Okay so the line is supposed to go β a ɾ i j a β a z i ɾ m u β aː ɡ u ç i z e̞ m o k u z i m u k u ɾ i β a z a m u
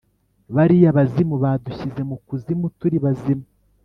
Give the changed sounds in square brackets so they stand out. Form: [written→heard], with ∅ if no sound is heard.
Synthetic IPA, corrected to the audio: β a ɾ i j a β a z i [ɾ→∅] m u β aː [ɡ→d] u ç i z e̞ m [o→u] k u z i m u [k→t] u ɾ i β a z [a→i] m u